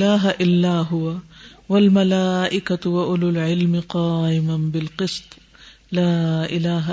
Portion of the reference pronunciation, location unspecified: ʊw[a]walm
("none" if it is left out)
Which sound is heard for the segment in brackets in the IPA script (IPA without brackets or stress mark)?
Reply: a